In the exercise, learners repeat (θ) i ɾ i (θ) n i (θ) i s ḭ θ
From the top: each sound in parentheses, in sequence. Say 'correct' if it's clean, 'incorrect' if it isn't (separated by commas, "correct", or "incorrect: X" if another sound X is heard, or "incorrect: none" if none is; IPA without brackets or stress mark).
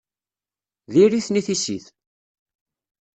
incorrect: ð, correct, correct